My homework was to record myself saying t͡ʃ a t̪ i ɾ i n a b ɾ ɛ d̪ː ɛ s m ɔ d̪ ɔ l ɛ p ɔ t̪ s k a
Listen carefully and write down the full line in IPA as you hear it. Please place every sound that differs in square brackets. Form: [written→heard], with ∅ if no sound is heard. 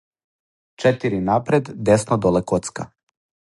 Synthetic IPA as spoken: t͡ʃ [a→ɛ] t̪ i ɾ i n a [b→p] ɾ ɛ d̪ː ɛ s [m→n] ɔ d̪ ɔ l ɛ [p→k] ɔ t̪ s k a